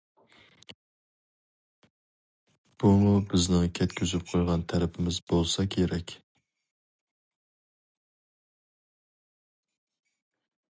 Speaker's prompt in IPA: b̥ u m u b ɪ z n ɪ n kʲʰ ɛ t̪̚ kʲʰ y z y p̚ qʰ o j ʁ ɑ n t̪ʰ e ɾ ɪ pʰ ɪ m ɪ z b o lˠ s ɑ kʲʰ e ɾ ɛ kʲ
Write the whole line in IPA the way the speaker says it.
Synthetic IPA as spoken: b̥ u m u b ɪ z n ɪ ŋ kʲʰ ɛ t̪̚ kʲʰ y z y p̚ qʰ o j ʁ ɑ n t̪ʰ æ ɾ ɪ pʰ ɪ m ɪ z b o lˠ s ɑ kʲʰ e ɾ ɛ kʲ